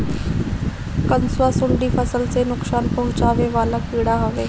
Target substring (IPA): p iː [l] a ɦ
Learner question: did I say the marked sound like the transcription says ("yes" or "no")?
no